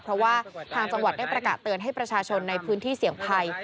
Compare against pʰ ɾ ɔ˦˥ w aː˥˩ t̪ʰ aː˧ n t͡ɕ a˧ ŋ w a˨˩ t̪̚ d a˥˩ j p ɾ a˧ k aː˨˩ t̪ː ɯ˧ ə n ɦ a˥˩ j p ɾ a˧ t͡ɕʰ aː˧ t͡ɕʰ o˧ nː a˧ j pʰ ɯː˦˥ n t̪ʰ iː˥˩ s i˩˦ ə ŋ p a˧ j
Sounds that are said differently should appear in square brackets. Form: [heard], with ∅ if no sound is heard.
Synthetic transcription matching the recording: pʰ ɾ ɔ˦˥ w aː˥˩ t̪ʰ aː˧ [ŋ] t͡ɕ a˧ ŋ w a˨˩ t̪̚ d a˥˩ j p ɾ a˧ k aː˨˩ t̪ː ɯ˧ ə n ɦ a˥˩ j p ɾ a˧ t͡ɕʰ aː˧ t͡ɕʰ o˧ nː a˧ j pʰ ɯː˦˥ n t̪ʰ iː˥˩ s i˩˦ ə ŋ [pʰ] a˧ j